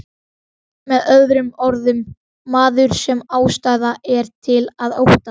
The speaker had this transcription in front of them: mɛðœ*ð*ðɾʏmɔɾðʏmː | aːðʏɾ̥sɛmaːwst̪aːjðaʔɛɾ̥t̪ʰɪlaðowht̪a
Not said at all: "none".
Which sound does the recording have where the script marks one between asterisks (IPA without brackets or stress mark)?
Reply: ð